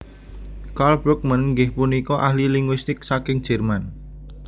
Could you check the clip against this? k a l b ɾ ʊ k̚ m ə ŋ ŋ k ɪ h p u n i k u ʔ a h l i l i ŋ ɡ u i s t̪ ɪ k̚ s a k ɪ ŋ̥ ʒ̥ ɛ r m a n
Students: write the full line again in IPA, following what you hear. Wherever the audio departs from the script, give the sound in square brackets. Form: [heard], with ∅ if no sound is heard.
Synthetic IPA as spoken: k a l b ɾ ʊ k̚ m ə [n] ŋ [ɡ] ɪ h p u n i k [ɔ] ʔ a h l i l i ŋ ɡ [w] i s t̪ ɪ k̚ s a k ɪ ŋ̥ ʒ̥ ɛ r m a n